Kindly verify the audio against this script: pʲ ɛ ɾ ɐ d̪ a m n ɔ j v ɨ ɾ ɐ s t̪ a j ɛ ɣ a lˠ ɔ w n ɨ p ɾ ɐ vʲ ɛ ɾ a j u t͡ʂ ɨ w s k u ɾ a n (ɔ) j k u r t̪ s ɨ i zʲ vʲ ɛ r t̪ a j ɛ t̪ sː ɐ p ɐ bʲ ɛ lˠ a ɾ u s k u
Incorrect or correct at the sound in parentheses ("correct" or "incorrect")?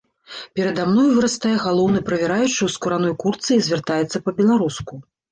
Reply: correct